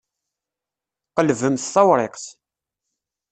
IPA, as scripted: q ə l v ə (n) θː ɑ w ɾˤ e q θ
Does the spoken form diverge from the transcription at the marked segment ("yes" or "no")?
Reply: yes